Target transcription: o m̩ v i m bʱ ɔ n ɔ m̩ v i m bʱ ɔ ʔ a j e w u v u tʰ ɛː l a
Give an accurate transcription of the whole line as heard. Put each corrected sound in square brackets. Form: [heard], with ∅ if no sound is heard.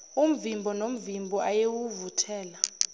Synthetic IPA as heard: [u] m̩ v i m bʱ ɔ n [o] m̩ v i m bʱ ɔ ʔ a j e w u v u tʰ ɛː l a

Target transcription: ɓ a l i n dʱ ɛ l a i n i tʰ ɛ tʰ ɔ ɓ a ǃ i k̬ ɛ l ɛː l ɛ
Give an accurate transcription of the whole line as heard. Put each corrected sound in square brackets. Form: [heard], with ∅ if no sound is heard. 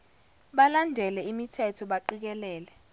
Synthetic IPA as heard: ɓ a l [a] n dʱ ɛ l [ɛ] i [m] i tʰ ɛ tʰ ɔ ɓ a ǃ i k̬ ɛ l ɛː l ɛ

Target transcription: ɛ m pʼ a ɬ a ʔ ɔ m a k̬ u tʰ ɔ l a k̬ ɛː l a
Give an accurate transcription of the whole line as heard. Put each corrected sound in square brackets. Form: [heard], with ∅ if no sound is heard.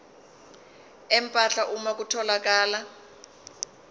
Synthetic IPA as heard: ɛ m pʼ a ɬ a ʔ [u] m a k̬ u tʰ ɔ l a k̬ [aː] l a

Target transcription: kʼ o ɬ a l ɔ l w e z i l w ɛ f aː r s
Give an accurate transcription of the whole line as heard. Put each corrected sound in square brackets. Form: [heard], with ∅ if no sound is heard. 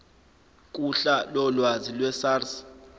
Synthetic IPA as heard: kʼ [u] ɬ a l ɔ l w [a] z i l w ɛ [s] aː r s

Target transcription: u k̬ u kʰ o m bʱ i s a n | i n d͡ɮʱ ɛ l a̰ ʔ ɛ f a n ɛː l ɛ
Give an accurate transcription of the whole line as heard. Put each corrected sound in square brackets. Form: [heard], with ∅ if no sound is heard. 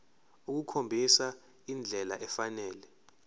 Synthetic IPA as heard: u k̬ u kʰ o m bʱ i s a [∅] | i n d͡ɮʱ ɛ l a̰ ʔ ɛ f a n ɛː l ɛ

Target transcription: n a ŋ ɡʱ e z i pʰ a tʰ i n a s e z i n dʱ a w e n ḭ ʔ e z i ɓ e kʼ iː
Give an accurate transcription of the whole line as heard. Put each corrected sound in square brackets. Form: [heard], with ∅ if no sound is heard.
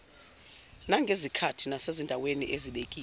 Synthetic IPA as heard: n a ŋ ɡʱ e z i [kʰ] a tʰ i n a s e z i n dʱ a w e n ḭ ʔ e z i ɓ e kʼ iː

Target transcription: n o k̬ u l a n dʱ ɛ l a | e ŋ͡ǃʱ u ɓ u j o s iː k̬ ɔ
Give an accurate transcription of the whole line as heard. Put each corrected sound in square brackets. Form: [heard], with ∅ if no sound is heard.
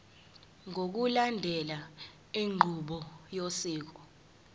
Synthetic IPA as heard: [ŋ] o k̬ u l a n dʱ ɛ l a | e ŋ͡ǃʱ u ɓ [ɔ] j o s iː k̬ ɔ

